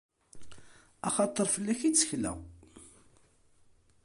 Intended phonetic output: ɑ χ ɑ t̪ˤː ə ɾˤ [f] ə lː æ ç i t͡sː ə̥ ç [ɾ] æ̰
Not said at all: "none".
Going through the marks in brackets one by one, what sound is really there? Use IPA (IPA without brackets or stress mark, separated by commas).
f, l